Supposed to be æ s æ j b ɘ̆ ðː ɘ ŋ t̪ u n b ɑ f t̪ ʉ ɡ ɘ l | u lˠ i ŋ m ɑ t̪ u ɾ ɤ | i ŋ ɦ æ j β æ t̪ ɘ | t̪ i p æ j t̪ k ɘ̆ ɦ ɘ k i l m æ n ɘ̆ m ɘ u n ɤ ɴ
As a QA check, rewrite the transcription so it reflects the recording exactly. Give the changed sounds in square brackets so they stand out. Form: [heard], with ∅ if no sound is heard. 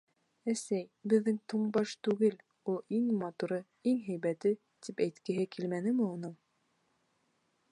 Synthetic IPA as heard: æ s æ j b ɘ̆ ðː ɘ ŋ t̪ u [ɴ] b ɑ [ʃ] t̪ ʉ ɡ ɘ l | u lˠ i ŋ m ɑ t̪ u ɾ ɤ | i ŋ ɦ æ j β æ t̪ ɘ | t̪ i p æ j t̪ k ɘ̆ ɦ ɘ k i l m æ n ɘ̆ m ɘ u n ɤ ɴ